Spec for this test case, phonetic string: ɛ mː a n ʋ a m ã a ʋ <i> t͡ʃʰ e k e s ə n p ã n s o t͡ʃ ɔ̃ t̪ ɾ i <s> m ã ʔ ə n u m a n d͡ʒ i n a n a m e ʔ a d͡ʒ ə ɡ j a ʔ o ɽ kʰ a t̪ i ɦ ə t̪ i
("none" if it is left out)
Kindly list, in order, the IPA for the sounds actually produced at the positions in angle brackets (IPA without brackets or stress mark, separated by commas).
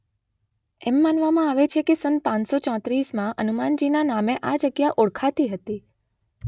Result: e, s